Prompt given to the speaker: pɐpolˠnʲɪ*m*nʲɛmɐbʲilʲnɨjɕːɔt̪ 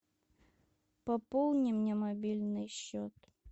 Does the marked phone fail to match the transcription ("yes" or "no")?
no